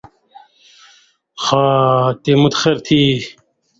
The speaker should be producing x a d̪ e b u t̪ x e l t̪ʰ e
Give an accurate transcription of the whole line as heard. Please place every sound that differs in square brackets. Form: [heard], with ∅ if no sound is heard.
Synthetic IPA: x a [t̪] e [m] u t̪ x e [ɾ] t̪ʰ [i]